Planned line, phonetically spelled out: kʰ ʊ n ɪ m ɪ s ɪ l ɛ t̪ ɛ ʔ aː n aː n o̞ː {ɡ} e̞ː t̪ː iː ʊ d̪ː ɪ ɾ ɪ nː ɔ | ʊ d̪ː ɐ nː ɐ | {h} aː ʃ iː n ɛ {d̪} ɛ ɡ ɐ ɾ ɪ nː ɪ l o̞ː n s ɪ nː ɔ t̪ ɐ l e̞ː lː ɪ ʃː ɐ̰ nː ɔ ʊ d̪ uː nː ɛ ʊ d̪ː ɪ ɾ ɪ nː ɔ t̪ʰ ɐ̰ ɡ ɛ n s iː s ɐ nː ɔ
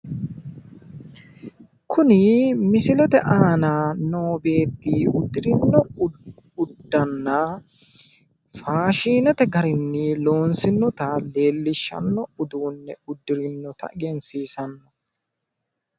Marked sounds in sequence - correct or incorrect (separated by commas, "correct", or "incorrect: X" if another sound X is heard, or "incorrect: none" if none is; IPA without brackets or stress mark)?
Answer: incorrect: b, incorrect: f, incorrect: t̪